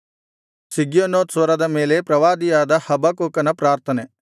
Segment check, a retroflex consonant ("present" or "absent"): absent